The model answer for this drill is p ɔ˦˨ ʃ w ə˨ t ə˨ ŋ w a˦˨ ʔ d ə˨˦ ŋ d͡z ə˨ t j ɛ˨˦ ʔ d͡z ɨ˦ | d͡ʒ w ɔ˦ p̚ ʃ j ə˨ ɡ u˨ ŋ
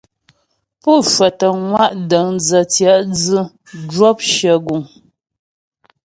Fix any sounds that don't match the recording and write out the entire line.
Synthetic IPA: p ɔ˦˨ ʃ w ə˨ t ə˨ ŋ w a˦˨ ʔ d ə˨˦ ŋ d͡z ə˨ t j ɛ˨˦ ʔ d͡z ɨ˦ | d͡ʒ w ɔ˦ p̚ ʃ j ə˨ ɡ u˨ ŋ